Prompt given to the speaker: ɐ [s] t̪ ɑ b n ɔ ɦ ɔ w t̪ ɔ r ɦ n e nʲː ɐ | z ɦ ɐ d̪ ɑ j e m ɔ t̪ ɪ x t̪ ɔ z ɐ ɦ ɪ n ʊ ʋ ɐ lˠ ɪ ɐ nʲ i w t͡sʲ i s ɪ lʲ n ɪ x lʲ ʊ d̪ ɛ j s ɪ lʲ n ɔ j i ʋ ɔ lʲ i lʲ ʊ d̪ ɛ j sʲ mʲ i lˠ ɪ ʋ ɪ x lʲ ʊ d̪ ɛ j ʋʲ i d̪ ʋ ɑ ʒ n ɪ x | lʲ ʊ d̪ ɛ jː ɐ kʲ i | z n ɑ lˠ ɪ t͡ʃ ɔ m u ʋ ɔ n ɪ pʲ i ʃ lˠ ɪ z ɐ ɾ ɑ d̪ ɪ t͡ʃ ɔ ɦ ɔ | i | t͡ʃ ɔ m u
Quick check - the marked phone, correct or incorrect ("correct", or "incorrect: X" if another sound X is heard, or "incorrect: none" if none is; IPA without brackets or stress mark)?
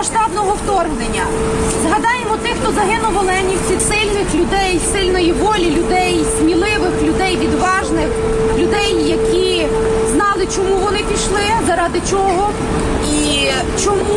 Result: incorrect: ʃ